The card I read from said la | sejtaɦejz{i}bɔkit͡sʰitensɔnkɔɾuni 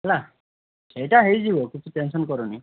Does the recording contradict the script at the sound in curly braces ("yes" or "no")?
no